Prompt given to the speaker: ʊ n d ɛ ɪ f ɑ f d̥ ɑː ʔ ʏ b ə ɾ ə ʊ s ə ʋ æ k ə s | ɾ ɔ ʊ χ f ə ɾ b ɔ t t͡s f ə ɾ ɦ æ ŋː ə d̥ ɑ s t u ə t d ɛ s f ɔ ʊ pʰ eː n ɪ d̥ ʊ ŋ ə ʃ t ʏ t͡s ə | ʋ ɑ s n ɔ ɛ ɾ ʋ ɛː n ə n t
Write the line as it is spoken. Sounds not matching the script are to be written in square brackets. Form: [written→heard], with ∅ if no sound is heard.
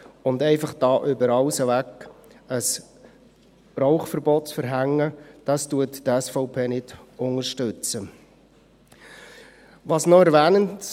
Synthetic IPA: ʊ n d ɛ ɪ f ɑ [f→χ] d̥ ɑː ʔ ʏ b ə ɾ [ə→ɑ] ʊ s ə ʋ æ k ə s | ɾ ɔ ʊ χ f ə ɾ b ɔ t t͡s f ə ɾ ɦ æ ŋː ə d̥ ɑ s t u ə t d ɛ s f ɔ ʊ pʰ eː n ɪ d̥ ʊ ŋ ə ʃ t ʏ t͡s ə | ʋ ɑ s n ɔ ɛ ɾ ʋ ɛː n ə n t